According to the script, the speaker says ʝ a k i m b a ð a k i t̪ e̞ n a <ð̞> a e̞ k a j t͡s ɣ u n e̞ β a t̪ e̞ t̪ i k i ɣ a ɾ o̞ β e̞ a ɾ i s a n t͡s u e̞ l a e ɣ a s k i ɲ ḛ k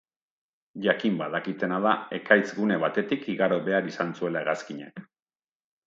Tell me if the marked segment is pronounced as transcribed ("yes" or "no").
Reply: yes